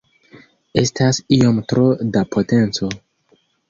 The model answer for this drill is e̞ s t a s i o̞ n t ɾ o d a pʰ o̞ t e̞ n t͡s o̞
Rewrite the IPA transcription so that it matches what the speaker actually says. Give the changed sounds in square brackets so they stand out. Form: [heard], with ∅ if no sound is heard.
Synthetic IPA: e̞ s t a s i o̞ [m] t ɾ o d a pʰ o̞ t e̞ n t͡s o̞